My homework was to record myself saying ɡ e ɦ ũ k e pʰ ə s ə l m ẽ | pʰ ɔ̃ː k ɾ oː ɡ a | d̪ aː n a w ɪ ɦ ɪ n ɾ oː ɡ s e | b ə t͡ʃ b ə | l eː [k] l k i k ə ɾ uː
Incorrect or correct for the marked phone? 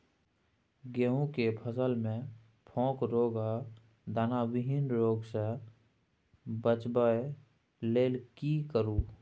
incorrect: none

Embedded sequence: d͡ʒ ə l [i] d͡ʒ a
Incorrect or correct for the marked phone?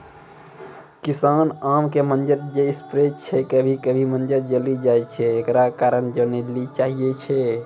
correct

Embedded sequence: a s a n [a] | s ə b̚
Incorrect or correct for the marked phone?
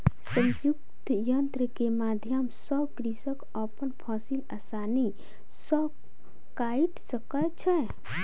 incorrect: i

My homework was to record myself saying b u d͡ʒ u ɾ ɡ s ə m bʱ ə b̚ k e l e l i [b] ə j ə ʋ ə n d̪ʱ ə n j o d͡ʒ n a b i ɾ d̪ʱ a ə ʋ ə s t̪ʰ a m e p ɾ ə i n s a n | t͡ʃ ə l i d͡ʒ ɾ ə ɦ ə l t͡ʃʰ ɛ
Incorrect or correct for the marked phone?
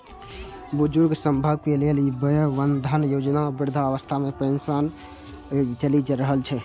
correct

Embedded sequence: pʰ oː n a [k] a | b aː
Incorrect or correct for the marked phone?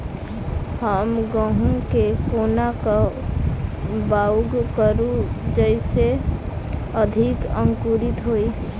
correct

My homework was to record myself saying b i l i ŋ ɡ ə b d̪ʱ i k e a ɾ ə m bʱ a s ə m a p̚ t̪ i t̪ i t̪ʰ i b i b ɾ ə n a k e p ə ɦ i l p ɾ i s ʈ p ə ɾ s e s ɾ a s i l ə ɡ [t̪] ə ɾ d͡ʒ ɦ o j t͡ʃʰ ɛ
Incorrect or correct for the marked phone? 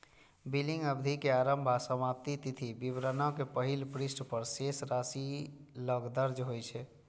incorrect: d̪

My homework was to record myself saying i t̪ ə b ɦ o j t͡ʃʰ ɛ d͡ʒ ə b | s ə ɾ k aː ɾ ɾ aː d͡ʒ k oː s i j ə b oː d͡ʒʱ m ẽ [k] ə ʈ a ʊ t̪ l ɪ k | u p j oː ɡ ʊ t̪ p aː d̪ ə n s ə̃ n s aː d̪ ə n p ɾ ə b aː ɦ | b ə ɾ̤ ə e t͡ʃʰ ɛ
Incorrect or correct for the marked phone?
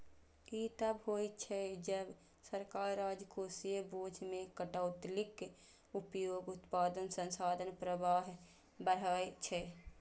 correct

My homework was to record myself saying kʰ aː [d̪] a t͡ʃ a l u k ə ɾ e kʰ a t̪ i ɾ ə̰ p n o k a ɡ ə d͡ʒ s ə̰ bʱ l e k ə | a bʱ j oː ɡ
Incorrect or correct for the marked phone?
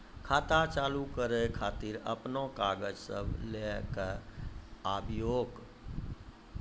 incorrect: t̪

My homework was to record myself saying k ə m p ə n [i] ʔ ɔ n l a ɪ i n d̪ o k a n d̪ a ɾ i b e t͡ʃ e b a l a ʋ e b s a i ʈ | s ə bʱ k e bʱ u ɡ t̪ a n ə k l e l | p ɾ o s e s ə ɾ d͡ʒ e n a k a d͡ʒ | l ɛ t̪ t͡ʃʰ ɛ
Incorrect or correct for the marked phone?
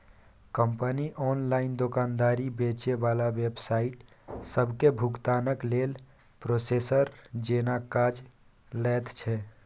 correct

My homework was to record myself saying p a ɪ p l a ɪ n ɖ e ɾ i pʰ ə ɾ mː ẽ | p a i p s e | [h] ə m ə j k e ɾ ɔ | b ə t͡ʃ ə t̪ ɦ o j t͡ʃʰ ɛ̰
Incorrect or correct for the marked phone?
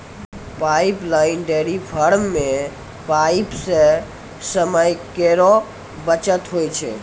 incorrect: s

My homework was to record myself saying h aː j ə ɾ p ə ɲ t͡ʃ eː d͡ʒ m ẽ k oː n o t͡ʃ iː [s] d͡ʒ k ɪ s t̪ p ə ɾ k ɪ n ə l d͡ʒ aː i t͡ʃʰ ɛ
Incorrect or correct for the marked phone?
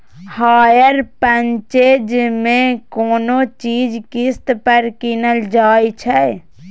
incorrect: none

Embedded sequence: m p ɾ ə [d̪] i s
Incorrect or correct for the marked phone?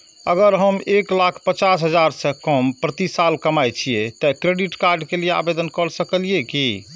incorrect: t̪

